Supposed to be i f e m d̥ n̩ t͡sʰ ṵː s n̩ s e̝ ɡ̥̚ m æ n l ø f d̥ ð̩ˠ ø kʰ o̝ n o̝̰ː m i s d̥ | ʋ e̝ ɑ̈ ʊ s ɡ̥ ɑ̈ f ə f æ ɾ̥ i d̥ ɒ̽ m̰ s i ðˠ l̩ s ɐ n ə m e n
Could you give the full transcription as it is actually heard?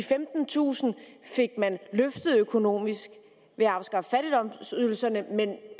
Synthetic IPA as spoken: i f e m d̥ n̩ t͡sʰ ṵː s n̩ f e̝ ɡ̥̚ m æ n l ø f d̥ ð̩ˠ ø kʰ o̝ n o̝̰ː m i s ɡ̥ | ʋ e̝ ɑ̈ ʊ s ɡ̥ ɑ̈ f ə f æ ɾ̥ i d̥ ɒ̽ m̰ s y ðˠ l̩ s ɐ n ə m e n

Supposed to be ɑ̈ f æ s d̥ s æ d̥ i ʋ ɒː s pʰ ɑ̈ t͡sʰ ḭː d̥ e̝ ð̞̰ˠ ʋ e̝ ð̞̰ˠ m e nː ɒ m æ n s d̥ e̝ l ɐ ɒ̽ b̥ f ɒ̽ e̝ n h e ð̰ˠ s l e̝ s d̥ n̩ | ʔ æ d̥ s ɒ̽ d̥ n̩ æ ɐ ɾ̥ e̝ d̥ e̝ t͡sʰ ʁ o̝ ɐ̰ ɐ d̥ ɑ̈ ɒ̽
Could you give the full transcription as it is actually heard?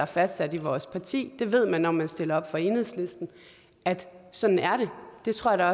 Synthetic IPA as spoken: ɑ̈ f æ s d̥ s æ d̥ i ʋ ɒː s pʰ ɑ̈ t͡sʰ ḭː d̥ e̝ ʋ e̝ ð̞̰ˠ m æ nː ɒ m æ n s d̥ e̝ l ɐ ɒ̽ b̥ f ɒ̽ e̝ n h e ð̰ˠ s l e̝ s d̥ n̩ | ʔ æ d̥ s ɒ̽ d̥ n̩ æ ɐ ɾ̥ e̝ d̥ e̝ t͡sʰ ʁ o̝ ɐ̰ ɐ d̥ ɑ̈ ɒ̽

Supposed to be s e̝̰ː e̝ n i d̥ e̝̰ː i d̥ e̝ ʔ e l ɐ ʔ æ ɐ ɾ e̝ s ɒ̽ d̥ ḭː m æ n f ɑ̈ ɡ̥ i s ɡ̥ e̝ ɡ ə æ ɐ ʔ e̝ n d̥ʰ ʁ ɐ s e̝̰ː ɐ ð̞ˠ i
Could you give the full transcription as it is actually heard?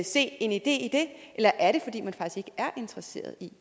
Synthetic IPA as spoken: s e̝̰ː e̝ n i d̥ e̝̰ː i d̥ e̝ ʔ e l ɐ ʔ æ ɐ ɾ e̝ f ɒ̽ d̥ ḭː m æ n f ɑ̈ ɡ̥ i s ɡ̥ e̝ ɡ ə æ ɐ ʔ e̝ n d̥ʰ ʁ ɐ s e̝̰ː ɐ ð̞ˠ i

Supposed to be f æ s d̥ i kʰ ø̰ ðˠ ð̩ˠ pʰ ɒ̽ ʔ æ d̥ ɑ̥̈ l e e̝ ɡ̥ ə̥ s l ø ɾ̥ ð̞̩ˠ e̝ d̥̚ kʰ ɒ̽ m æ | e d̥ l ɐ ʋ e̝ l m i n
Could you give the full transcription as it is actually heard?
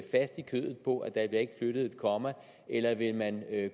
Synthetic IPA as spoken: f æ s d̥ i kʰ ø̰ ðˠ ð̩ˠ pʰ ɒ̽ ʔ æ d̥ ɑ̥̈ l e e̝ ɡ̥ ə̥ f l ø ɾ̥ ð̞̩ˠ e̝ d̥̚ kʰ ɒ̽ m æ | e l ɐ ʋ e̝ l m æ n

